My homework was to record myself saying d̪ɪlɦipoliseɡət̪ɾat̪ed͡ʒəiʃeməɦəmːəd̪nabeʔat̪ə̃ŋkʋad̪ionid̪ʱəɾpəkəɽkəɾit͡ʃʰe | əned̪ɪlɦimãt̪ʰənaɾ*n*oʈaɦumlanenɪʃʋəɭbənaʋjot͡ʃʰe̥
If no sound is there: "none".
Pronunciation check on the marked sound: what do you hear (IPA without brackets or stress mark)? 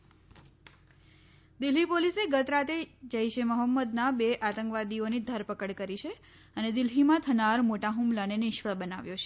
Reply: m